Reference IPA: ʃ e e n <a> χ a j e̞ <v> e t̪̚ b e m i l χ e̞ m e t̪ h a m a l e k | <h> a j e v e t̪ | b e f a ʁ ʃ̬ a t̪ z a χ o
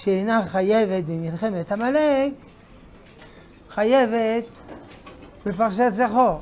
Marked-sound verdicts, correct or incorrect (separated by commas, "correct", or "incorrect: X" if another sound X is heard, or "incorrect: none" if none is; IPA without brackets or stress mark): correct, correct, incorrect: χ